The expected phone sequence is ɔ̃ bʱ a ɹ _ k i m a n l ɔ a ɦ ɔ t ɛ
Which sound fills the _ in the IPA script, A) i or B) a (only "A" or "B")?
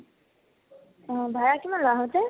B